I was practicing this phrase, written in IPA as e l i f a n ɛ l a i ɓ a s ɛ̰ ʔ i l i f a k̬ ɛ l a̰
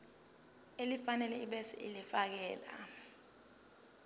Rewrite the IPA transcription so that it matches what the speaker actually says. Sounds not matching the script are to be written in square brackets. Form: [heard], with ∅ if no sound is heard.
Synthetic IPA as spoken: e l i f a n ɛ l [ɛ] i ɓ [ɛ] s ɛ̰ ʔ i l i f a k̬ [ɛː] l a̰